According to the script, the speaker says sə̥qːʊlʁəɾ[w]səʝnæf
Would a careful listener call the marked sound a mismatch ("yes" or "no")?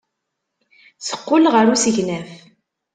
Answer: yes